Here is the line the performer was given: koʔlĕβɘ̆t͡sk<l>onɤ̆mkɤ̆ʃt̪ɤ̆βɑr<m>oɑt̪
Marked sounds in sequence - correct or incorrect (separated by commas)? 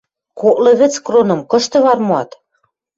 incorrect, correct